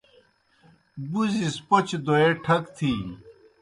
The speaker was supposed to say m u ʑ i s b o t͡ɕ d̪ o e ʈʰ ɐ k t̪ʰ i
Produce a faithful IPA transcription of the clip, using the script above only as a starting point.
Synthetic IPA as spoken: b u z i s p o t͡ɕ d̪ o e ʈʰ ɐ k t̪ʰ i